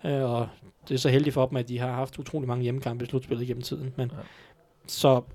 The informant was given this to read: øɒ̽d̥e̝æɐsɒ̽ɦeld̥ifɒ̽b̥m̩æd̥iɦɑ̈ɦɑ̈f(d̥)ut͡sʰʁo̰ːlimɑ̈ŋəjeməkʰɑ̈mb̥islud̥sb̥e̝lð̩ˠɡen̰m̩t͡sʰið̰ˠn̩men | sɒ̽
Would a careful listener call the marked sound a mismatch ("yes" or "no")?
no